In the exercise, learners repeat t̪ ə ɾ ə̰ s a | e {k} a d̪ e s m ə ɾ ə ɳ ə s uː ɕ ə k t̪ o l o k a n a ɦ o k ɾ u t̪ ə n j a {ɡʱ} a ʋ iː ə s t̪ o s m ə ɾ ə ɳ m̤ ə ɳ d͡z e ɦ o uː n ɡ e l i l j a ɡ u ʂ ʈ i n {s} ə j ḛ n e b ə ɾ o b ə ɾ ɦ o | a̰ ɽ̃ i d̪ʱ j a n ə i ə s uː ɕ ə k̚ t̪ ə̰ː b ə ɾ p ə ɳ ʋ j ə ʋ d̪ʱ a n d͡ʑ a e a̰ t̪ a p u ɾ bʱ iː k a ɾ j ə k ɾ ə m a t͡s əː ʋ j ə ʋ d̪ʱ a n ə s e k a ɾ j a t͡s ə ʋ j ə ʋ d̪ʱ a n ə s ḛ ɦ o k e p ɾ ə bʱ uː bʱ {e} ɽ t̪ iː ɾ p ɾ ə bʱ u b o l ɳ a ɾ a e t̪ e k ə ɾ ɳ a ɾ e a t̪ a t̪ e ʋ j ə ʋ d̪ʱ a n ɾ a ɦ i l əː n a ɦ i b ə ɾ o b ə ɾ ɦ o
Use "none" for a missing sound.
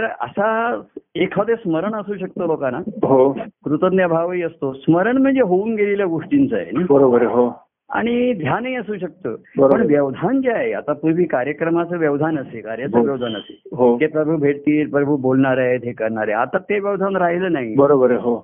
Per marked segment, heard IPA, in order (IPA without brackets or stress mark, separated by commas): kʰ, bʱ, t͡s, e